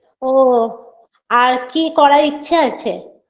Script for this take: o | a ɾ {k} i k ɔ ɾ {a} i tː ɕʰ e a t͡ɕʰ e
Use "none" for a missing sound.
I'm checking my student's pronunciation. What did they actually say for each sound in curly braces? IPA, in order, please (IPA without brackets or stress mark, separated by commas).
k, a